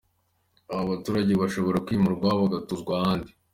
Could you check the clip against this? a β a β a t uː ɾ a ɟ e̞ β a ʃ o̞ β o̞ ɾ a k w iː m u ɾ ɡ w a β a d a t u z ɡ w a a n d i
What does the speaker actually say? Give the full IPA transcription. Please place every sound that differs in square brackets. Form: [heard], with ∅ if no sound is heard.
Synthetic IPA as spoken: a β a β a t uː ɾ a ɟ e̞ β a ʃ o̞ β o̞ ɾ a k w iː m u ɾ ɡ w a β a [ɡ] a t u z ɡ w a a n d i